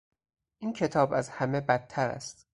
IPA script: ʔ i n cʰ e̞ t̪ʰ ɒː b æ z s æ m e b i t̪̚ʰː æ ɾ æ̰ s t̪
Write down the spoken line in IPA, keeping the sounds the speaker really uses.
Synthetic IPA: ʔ i n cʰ e̞ t̪ʰ ɒː b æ z h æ m e b æ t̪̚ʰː æ ɾ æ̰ s t̪